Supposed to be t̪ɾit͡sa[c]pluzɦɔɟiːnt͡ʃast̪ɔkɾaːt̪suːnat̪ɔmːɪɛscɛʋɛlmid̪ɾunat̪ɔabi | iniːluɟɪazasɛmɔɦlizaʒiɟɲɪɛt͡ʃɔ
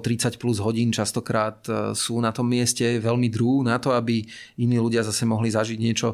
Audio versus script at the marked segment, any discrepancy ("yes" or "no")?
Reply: no